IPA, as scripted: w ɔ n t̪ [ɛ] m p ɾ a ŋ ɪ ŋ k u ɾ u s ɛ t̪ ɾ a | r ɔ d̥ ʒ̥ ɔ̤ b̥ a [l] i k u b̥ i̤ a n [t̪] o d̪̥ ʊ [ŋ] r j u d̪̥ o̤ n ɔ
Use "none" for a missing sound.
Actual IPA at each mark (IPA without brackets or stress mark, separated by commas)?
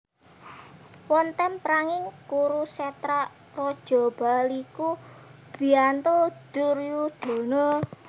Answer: ɛ, l, t̪, none